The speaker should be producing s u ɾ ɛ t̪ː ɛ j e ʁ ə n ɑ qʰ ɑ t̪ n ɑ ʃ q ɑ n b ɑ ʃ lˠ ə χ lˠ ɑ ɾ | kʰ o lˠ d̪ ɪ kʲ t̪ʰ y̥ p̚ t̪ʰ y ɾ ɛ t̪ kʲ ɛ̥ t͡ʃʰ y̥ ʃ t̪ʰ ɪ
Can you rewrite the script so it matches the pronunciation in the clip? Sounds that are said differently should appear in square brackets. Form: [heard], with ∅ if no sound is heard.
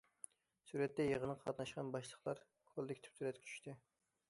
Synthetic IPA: s u ɾ ɛ t̪ː ɛ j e ʁ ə n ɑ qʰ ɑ t̪ n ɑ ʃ q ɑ n b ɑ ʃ lˠ ə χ lˠ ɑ ɾ | kʰ o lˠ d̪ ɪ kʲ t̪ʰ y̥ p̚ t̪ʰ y ɾ ɛ t̪ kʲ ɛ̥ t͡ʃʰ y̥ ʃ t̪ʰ ɪ